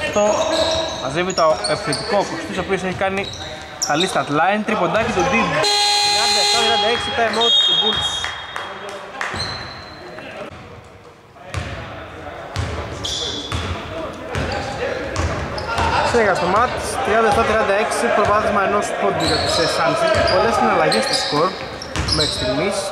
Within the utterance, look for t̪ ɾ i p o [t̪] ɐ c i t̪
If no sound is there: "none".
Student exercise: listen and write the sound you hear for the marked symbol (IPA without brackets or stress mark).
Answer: d̪